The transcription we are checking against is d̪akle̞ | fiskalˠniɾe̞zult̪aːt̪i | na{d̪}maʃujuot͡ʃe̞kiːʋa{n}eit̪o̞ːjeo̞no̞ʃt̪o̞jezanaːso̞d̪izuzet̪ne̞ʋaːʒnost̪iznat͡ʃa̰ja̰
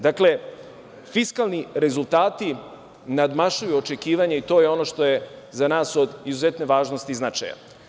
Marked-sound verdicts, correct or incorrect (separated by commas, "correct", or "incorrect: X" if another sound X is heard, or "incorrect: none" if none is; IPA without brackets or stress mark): correct, incorrect: ɲ